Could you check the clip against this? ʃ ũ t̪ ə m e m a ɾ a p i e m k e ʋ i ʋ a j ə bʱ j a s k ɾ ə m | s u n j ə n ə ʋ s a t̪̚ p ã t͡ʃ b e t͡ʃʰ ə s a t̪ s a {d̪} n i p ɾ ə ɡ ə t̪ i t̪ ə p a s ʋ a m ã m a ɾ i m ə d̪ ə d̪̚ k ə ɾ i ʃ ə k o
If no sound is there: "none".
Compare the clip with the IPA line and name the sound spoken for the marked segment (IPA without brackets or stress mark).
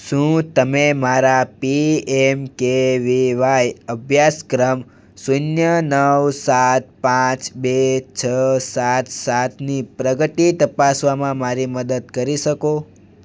t̪